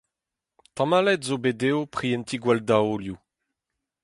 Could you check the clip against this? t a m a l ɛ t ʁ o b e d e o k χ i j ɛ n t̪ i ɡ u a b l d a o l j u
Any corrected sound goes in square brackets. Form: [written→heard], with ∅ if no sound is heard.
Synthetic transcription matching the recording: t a m a l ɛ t [ʁ→z] o b e d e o [k→p] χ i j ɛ n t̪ i ɡ [u→w] a [b→∅] l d a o l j u